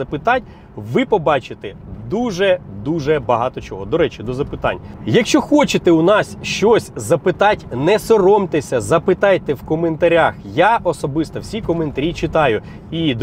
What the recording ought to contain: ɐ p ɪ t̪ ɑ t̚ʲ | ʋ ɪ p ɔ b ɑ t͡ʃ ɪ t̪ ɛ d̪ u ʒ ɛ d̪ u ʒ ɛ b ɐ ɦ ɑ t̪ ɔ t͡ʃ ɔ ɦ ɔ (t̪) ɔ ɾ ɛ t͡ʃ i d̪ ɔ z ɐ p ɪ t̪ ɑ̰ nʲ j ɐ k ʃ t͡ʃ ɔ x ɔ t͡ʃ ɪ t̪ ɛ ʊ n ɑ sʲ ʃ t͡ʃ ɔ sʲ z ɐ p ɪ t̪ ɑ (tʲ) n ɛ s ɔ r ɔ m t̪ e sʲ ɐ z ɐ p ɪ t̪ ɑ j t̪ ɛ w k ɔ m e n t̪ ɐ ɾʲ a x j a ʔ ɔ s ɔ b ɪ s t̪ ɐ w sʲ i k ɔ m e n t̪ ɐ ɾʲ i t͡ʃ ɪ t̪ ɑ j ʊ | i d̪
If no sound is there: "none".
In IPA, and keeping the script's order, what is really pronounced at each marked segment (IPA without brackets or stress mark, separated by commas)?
d̪, tʲ